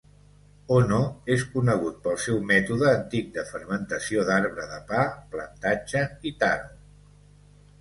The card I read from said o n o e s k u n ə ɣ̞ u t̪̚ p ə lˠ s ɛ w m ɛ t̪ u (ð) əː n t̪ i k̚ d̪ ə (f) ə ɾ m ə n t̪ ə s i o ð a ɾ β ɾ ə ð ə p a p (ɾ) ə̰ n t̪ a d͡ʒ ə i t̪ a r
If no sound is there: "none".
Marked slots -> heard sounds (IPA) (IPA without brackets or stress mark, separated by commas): ð, f, l